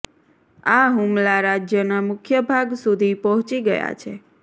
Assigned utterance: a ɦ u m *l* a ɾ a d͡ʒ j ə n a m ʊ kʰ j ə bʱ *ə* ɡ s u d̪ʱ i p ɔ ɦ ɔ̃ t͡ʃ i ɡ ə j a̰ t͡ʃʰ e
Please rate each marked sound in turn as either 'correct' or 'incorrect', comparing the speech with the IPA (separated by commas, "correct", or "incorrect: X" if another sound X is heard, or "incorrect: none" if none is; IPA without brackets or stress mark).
correct, incorrect: a